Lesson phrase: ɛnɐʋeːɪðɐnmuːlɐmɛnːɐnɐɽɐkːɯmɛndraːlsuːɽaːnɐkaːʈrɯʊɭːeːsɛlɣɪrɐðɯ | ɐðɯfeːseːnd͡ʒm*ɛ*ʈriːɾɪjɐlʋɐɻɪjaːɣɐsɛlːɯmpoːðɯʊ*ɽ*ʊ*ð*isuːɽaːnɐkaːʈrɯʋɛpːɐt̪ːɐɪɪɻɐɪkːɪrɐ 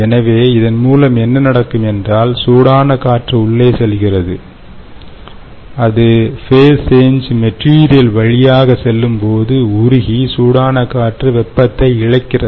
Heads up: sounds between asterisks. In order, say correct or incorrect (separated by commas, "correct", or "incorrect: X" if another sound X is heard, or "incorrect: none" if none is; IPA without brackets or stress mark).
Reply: correct, incorrect: ɾ, incorrect: ɣ